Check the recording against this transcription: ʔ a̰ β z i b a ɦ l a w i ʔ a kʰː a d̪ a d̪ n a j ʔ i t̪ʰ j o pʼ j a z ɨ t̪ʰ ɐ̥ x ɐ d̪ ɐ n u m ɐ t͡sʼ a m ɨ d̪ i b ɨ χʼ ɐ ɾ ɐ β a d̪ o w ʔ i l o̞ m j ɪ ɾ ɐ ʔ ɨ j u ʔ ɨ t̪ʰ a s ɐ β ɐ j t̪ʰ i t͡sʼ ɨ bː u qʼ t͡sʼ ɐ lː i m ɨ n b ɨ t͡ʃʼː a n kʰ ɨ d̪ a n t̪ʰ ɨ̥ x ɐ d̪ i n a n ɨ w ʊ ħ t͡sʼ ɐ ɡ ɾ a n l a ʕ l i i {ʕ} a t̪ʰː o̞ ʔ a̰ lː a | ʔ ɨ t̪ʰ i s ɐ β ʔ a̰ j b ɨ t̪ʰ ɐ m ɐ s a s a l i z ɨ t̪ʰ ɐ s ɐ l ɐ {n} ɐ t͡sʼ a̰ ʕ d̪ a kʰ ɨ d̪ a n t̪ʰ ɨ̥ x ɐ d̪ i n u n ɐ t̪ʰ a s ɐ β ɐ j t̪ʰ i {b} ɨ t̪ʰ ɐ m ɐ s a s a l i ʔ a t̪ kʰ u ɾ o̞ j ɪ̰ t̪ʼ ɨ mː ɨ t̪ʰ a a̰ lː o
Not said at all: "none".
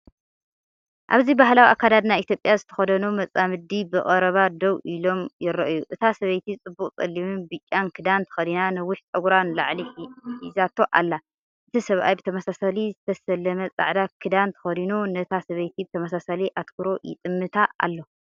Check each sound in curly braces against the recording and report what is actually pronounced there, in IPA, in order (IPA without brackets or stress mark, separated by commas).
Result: z, m, b